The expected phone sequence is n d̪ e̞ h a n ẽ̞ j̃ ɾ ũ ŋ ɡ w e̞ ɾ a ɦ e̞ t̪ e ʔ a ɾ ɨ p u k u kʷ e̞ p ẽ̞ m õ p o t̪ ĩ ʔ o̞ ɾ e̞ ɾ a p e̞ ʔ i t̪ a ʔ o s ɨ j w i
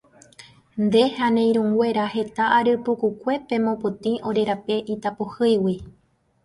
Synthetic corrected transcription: n d̪ e̞ h a n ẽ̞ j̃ ɾ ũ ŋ ɡ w e̞ ɾ a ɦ e̞ t̪ a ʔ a ɾ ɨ p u k u kʷ e̞ p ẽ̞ m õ p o t̪ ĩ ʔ o̞ ɾ e̞ ɾ a p e̞ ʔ i t̪ a p o h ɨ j w i